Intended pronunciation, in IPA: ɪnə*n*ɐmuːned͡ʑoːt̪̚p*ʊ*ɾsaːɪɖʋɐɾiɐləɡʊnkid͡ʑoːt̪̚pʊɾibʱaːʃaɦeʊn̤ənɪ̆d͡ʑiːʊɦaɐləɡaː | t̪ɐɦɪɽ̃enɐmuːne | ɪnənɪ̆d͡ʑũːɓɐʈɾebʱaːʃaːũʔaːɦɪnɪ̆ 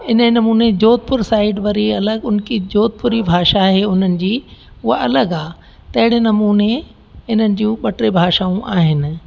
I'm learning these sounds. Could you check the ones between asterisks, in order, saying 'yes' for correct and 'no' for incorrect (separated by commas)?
yes, yes